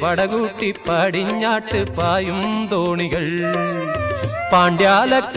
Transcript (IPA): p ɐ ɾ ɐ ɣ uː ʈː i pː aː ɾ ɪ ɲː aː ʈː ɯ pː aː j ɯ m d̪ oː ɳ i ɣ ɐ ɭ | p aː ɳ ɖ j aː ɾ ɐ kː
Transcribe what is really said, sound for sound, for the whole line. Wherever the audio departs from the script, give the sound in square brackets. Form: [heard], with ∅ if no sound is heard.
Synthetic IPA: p ɐ [ɽ] ɐ ɣ uː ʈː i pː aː [ɽ] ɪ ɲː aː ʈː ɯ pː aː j ɯ m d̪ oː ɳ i ɣ ɐ ɭ | p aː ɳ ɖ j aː [l] ɐ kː